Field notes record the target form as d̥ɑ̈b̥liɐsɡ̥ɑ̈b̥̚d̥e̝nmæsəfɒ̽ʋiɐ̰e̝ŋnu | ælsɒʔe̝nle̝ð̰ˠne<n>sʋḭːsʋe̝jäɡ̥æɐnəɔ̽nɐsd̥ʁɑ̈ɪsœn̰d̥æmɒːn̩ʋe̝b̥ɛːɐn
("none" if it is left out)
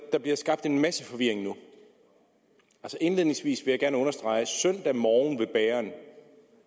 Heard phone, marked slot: ŋ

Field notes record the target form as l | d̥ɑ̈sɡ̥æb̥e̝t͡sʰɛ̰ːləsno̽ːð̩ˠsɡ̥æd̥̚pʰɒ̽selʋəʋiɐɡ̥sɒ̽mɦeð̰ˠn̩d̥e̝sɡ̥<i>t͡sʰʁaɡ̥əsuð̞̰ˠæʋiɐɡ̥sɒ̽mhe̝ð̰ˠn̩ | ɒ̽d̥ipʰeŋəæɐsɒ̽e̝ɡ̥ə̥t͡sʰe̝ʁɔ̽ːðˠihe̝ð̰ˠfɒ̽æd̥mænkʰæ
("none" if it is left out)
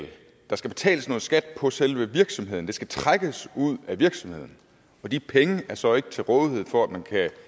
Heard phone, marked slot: æ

